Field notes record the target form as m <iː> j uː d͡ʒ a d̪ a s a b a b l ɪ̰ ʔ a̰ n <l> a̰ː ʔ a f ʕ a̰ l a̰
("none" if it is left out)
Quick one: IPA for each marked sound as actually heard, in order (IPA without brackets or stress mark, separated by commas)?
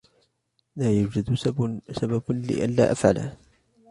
aː, l